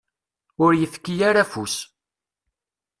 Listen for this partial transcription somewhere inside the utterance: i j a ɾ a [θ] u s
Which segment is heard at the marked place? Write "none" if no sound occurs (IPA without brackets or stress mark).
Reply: f